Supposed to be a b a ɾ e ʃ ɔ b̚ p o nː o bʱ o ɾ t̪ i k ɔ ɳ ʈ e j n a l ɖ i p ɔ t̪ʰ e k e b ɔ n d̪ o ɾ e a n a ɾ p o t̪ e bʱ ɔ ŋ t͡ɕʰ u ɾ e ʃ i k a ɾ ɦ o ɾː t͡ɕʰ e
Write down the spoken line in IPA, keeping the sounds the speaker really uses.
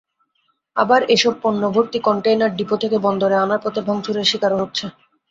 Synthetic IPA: a b a ɾ e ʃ ɔ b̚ p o nː o bʱ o ɾ t̪ i k ɔ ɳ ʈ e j n a ɾ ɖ i p o t̪ʰ e k e b ɔ n d̪ o ɾ e a n a ɾ p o t̪ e bʱ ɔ ŋ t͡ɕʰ u ɾ e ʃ i k a ɾ ɦ o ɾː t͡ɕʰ e